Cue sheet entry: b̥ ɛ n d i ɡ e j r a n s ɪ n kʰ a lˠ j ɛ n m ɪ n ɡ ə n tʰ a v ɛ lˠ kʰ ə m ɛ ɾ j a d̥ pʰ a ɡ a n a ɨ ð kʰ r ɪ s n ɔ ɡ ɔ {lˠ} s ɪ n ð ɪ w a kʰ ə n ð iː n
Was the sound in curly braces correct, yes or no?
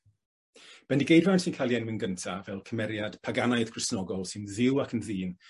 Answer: yes